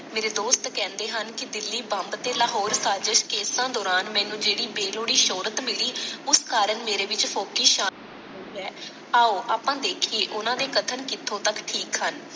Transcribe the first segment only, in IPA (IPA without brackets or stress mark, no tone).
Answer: m